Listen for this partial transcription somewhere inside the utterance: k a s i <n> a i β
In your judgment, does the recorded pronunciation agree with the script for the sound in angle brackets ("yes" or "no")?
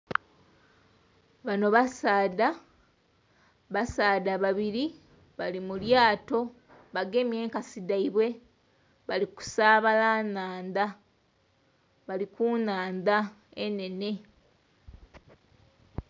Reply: no